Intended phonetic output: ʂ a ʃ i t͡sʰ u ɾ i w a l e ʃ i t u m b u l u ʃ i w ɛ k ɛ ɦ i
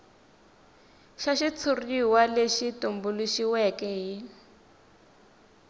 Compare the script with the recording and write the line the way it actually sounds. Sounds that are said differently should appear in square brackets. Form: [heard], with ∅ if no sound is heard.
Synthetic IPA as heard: [ʃ] a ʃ i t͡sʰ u [r] i w a l e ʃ i t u m b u l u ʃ i w ɛ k ɛ ɦ i